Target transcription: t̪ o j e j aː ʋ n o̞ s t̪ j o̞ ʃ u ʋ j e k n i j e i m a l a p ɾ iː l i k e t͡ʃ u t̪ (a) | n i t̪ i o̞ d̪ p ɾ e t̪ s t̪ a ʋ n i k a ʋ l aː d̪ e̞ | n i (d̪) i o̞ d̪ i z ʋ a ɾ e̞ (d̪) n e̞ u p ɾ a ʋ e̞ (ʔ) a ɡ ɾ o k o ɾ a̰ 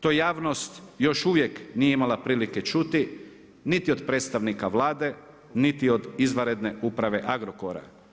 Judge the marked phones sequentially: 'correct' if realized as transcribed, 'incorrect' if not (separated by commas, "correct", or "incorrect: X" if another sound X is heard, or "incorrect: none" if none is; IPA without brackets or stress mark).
incorrect: i, incorrect: t̪, correct, correct